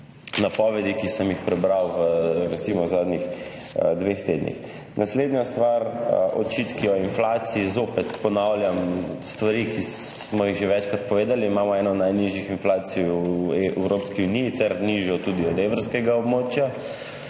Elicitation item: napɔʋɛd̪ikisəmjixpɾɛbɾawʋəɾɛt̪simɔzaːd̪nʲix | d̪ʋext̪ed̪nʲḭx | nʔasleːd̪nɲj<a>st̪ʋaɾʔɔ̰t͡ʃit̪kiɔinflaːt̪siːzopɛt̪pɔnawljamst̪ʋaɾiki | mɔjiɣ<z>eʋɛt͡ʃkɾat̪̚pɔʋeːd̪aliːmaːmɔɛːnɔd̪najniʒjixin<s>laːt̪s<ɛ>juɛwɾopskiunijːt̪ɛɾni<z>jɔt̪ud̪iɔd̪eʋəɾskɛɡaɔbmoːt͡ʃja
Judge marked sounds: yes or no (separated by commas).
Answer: yes, no, no, no, no